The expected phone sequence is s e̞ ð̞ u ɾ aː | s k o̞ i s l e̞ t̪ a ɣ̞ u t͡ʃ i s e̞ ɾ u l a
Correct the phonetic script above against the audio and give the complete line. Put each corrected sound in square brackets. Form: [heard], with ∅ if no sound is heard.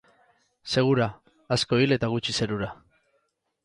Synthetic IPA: s e̞ [ɣ̞] u ɾ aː | s k o̞ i [∅] l e̞ t̪ a ɣ̞ u t͡ʃ i s e̞ ɾ u [ɾ] a